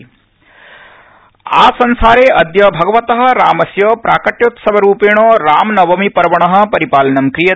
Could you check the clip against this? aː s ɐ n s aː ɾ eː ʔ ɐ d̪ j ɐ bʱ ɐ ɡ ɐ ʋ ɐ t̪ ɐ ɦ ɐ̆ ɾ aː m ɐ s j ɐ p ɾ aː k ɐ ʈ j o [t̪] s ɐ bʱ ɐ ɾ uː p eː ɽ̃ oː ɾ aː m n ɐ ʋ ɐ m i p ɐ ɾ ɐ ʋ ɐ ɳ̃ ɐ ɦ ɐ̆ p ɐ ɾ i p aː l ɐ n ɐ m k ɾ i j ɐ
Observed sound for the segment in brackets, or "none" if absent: t̪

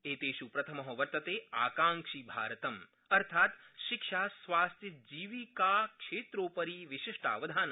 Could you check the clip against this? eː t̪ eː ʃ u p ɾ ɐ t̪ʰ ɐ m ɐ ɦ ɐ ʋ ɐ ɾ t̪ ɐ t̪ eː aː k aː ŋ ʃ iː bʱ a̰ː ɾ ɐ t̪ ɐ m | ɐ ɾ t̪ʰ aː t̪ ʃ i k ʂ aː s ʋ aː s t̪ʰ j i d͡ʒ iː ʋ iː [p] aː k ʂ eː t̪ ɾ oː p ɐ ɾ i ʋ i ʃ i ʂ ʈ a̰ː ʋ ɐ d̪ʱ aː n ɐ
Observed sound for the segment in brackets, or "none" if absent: k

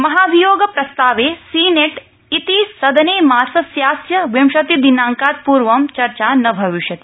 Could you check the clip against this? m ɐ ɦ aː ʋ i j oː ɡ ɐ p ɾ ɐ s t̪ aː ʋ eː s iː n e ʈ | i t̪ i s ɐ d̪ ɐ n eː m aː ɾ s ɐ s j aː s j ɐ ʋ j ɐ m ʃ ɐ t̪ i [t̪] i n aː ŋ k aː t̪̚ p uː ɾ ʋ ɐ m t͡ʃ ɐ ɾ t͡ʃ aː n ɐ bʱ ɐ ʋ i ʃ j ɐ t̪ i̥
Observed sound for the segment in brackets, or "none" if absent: d̪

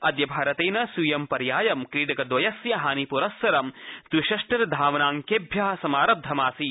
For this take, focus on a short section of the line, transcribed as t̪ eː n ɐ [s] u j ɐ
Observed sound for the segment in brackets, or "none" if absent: s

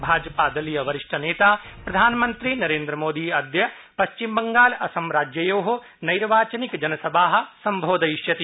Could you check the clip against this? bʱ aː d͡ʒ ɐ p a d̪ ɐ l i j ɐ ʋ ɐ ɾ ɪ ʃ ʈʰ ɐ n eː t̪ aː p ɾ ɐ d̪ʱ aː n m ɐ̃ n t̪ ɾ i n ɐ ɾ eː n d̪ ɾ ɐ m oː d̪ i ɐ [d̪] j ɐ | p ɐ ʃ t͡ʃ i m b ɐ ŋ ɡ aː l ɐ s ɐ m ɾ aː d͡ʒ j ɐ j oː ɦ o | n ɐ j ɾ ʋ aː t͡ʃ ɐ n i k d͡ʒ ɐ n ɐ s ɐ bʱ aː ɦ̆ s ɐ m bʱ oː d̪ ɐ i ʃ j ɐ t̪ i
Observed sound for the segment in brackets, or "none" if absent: d̪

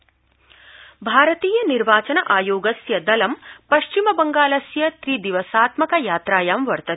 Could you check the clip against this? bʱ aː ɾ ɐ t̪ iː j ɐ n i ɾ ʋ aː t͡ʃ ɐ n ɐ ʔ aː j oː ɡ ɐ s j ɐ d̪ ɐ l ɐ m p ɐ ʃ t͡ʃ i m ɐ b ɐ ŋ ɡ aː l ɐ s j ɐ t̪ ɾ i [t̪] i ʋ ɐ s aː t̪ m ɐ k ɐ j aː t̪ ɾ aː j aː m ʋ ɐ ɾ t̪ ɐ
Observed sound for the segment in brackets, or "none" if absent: d̪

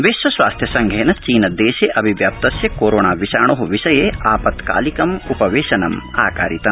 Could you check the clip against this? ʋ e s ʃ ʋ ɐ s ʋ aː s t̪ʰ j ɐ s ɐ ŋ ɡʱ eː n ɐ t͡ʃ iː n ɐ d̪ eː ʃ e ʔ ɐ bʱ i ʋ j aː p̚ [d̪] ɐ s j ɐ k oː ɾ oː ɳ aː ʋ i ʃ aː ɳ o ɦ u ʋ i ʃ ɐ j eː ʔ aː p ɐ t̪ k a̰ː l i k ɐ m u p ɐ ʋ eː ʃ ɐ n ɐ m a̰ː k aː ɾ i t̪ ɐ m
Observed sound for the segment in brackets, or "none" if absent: t̪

